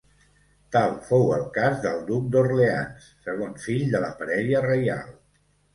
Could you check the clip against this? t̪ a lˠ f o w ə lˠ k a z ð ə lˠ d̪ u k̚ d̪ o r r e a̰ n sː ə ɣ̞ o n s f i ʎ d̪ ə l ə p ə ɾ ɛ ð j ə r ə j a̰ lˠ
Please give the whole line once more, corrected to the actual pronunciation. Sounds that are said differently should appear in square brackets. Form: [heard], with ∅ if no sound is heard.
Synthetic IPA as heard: t̪ a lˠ f o w ə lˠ k a z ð ə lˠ d̪ u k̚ d̪ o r [l] e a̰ n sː ə ɣ̞ o n s f i ʎ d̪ ə l ə p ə ɾ ɛ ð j ə r ə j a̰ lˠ